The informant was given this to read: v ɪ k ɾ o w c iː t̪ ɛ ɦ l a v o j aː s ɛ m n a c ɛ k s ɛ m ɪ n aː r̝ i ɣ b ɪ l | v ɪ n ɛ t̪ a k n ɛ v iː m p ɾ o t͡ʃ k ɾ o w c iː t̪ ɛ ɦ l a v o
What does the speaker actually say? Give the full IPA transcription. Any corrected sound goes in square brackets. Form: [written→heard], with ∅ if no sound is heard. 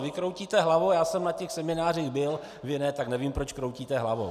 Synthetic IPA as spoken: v ɪ k ɾ o w c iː t̪ ɛ ɦ l a v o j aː s ɛ m n a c ɛ [k→x] s ɛ m ɪ n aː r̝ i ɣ b ɪ l | v ɪ n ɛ t̪ a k n ɛ v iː m p ɾ o t͡ʃ k ɾ o w c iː t̪ ɛ ɦ l a v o